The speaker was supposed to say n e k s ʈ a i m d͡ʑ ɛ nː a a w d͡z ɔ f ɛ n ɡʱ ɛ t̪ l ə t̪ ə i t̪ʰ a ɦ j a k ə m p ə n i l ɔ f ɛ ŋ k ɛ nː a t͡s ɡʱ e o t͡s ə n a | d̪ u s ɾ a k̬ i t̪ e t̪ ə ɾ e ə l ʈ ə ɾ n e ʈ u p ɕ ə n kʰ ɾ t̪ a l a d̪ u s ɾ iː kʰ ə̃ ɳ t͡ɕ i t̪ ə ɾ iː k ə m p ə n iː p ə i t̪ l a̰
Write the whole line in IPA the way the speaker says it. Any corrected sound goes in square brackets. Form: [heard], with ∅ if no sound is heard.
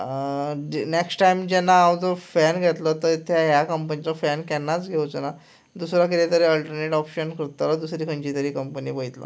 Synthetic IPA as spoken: n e k s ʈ a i m d͡ʑ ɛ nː a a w d͡z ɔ f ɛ n ɡʱ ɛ t̪ l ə t̪ ə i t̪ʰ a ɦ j a k ə m p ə n i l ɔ f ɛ [n] k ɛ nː a t͡s ɡʱ e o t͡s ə n a | d̪ u s ɾ a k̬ i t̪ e t̪ ə ɾ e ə l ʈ ə ɾ n e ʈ [ɔ] p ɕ ə n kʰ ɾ t̪ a l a d̪ u s ɾ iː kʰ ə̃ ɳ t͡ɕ i t̪ ə ɾ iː k ə m p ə n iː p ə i t̪ l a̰